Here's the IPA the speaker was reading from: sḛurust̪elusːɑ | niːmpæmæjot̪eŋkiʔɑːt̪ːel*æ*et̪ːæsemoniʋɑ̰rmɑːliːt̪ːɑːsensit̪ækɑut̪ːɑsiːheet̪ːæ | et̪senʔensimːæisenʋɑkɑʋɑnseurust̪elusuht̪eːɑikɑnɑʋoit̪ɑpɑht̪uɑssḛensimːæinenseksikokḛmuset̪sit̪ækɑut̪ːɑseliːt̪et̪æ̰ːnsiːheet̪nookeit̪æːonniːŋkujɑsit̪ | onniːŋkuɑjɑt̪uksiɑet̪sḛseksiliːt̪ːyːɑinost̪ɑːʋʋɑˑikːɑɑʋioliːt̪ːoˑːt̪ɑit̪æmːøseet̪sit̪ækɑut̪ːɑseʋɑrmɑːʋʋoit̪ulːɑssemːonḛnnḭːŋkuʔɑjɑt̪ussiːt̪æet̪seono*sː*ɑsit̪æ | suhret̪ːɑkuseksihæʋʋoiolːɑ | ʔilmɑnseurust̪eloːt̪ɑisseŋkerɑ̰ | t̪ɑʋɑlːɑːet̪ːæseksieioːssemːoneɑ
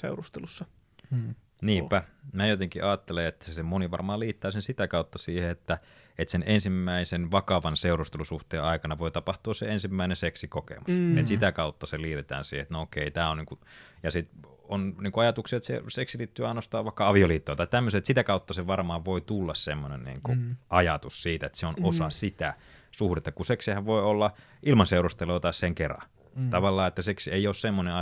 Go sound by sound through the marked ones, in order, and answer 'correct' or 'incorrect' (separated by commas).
incorrect, incorrect